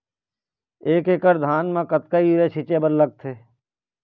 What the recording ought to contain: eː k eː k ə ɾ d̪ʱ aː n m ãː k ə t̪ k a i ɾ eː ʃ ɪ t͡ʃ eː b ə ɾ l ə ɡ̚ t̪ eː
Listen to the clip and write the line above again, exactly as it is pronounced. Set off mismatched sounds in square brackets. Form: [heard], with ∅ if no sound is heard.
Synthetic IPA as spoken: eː k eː k ə ɾ d̪ʱ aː n m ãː k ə t̪ k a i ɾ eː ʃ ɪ t͡ʃ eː b ə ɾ l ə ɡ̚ [t̪ʰ] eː